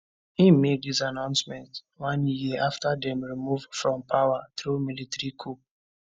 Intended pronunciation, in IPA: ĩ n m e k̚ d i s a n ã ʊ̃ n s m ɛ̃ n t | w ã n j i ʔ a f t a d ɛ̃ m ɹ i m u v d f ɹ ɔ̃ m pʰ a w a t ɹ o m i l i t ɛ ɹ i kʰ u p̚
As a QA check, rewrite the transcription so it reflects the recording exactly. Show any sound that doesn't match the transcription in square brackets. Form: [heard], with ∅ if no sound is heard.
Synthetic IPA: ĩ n m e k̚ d i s a n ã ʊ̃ n s m ɛ̃ n t | w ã n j i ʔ a f t a d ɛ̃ m ɹ i m u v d f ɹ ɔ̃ m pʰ a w a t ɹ [u] m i l i t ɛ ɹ i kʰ u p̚